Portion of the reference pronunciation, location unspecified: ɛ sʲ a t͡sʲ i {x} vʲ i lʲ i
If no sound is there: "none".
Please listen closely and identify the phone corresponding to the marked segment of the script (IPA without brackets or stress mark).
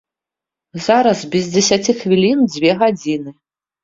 x